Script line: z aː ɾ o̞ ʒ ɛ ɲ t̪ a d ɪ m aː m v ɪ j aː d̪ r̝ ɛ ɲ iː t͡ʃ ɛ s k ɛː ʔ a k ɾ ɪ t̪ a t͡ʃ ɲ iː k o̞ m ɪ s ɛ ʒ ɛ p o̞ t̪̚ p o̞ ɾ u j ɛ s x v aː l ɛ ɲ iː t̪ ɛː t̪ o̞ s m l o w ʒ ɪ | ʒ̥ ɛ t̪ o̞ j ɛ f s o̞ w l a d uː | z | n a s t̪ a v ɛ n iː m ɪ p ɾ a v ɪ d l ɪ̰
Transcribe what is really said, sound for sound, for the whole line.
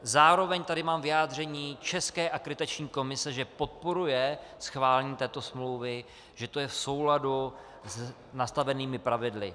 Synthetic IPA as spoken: z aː ɾ o̞ v ɛ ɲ t̪ a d ɪ m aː m v ɪ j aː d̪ r̝ ɛ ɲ iː t͡ʃ ɛ s k ɛː ʔ a k ɾ ɪ t̪ a t͡ʃ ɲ iː k o̞ m ɪ s ɛ ʒ ɛ p o̞ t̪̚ p o̞ ɾ u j ɛ s x v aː l ɛ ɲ iː t̪ ɛː t̪ o̞ s m l o w v ɪ | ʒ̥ ɛ t̪ o̞ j ɛ f s o̞ w l a d u | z | n a s t̪ a v ɛ n iː m ɪ p ɾ a v ɪ d l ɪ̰